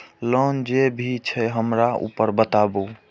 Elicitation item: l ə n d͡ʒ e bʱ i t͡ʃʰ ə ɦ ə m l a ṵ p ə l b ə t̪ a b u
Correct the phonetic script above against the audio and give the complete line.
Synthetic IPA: l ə n d͡ʒ e bʱ i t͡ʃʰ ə ɦ ə m ɾ a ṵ p ə ɾ b ə t̪ a b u